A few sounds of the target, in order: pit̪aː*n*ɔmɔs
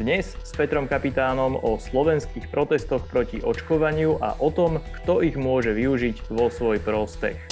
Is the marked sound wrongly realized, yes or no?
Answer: no